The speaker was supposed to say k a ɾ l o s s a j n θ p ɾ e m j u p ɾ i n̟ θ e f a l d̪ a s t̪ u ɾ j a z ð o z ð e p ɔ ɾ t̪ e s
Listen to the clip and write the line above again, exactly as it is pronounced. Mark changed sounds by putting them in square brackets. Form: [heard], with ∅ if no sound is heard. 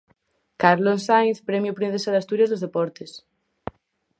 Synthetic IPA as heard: k a ɾ l o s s a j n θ p ɾ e m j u p ɾ i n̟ θ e [s] a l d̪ a s t̪ u ɾ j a z ð o z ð e p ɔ ɾ t̪ e s